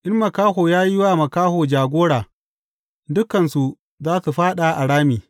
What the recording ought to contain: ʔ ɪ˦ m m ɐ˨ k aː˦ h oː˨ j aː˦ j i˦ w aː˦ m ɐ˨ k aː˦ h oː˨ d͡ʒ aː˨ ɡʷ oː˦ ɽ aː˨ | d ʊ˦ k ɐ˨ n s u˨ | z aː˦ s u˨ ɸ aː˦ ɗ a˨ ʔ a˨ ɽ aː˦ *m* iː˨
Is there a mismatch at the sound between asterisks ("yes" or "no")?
no